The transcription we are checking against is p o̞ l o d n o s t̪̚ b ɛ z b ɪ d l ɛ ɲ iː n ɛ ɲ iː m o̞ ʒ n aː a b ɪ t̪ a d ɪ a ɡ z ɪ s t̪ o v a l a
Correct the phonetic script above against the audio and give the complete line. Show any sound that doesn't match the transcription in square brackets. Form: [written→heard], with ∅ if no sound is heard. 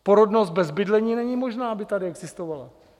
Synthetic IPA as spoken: p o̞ [l→ɾ] o d n o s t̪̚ b ɛ z b ɪ d l ɛ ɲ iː n ɛ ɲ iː m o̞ ʒ n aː a b ɪ t̪ a d ɪ [a→ɛ] ɡ z ɪ s t̪ o v a l a